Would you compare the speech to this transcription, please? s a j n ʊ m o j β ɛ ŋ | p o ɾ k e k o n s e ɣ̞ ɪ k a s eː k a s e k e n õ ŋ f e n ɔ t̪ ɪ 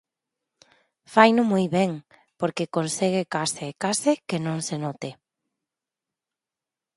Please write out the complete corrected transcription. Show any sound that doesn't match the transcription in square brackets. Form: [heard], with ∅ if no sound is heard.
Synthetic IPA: [f] a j n ʊ m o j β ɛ ŋ | p o ɾ k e k o n s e ɣ̞ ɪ k a s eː k a s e k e n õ ŋ [s] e n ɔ t̪ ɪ